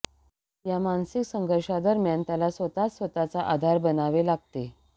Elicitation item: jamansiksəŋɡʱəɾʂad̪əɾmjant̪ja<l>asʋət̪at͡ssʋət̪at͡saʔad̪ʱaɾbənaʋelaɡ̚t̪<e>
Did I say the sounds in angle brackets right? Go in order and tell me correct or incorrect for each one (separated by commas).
correct, correct